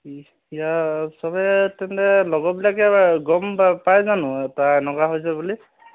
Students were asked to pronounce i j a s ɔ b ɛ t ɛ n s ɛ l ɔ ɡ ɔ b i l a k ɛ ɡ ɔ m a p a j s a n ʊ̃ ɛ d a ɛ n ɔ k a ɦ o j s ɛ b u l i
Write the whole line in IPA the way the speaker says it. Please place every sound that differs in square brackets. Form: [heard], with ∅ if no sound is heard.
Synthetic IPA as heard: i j a s ɔ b ɛ t ɛ n [t] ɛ l ɔ ɡ ɔ b i l a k ɛ ɡ ɔ m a p a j [z] a n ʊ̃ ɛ [t] a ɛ n ɔ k a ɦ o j s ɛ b u l i